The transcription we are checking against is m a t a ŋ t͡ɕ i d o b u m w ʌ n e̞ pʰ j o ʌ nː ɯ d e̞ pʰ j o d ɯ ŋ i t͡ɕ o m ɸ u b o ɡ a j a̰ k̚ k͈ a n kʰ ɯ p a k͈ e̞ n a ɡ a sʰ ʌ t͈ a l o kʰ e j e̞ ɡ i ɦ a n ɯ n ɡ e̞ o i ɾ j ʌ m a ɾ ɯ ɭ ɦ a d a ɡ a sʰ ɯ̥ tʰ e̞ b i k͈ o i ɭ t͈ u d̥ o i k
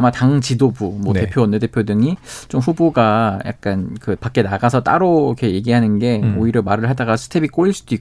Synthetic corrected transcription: m a t a ŋ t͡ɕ i d o b u m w ʌ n e̞ pʰ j o ʌ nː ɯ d e̞ pʰ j o d ɯ ŋ i t͡ɕ o m ɸ u b o ɡ a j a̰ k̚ k͈ a n k ɯ p a k͈ e̞ n a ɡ a sʰ ʌ t͈ a ɾ o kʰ e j e̞ ɡ i ɦ a n ɯ n ɡ e̞ o i ɾ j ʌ m a ɾ ɯ ɭ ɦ a d a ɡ a sʰ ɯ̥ tʰ e̞ b i k͈ o i ɭ s͈ u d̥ o i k